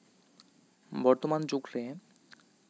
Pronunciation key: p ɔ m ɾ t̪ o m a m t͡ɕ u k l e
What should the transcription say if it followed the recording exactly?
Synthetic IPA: b ɔ ɾ t̪ o m a n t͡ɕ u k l e

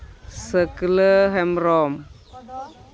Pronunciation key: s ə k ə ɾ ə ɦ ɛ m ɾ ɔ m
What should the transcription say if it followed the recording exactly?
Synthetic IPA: s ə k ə l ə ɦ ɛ m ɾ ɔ m

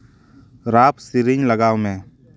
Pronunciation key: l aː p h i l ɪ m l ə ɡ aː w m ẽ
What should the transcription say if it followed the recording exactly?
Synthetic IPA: ɾ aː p s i ɾ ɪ ɲ l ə ɡ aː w m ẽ

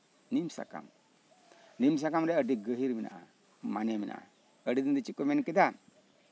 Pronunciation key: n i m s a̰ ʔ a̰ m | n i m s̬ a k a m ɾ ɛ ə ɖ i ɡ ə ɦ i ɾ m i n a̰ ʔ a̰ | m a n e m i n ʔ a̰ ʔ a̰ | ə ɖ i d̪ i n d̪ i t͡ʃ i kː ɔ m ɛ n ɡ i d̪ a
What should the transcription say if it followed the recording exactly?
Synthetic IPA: n i m s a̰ k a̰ m | n i m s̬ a k a m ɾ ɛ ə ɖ i ɡ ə ɦ i ɾ m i n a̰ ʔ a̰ | m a n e m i n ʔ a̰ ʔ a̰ | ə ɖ i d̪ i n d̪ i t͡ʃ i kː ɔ m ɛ n k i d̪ a

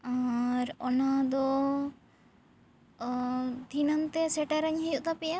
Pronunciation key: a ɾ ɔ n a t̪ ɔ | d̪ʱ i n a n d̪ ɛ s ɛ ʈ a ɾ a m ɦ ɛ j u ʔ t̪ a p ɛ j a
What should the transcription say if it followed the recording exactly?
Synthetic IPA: a ɾ ɔ n a d̪ ɔ | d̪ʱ i n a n t̪ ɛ s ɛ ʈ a ɾ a ɲ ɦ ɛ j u ʔ t̪ a p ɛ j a

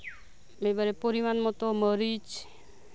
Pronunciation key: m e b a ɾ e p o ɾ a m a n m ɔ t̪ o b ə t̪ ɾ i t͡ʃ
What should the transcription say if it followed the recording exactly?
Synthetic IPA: m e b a ɾ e p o ɾ i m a n m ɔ t̪ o m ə ɾ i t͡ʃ

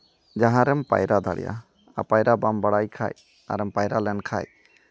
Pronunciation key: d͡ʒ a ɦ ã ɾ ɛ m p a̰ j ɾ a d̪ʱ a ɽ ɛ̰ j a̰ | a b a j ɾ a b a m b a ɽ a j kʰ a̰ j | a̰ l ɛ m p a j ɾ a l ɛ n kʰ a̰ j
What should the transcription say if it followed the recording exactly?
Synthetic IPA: d͡ʒ a ɦ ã ɾ ɛ m p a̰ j ɾ a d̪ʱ a ɽ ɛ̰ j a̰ | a p a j ɾ a b a m b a ɽ a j kʰ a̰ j | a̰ ɾ ɛ m p a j ɾ a l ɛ n kʰ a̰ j

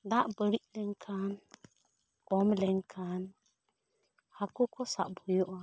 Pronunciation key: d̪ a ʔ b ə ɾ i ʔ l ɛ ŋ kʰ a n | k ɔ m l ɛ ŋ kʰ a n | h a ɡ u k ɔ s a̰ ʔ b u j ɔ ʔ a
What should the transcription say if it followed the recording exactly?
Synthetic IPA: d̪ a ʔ b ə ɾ i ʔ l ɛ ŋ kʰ a n | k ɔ m l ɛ ŋ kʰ a n | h a k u k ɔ s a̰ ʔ b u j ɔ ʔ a

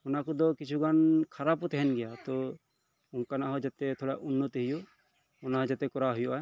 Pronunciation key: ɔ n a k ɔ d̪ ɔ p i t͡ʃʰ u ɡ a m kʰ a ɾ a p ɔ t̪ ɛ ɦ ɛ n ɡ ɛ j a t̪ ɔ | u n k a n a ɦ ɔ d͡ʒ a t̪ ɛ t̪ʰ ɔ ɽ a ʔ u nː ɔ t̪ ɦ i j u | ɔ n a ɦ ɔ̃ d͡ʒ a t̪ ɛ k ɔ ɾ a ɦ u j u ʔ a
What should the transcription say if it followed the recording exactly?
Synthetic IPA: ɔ n a k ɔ d̪ ɔ k i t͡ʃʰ u ɡ a n kʰ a ɾ a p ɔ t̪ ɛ ɦ ɛ n ɡ ɛ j a t̪ ɔ | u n k a n a ɦ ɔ d͡ʒ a t̪ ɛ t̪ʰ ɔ ɽ a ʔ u nː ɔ t̪ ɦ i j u | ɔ n a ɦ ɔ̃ d͡ʒ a t̪ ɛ k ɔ ɾ a ɦ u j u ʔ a

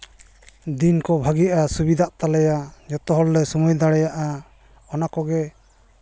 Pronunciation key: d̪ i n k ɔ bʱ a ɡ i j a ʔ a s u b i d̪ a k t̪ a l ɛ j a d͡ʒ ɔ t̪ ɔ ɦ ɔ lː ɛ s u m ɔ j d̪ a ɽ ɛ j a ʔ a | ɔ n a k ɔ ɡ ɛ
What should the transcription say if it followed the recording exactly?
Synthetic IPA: d̪ i n k ɔ bʱ a ɡ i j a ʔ a s u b i d̪ a ʔ t̪ a l ɛ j a d͡ʒ ɔ t̪ ɔ ɦ ɔ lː ɛ s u m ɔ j d̪ a ɽ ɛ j a ʔ a | ɔ n a k ɔ ɡ ɛ

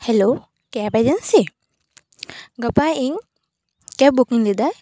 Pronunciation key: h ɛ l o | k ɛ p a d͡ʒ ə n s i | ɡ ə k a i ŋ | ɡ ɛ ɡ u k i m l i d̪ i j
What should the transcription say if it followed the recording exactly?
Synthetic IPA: h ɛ l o | k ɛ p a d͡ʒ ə n s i | ɡ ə p a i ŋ | k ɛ b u k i ŋ l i d̪ a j

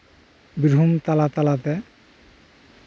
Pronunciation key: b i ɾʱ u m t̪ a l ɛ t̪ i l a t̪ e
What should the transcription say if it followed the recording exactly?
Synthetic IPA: b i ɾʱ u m t̪ a l a t̪ a l a t̪ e

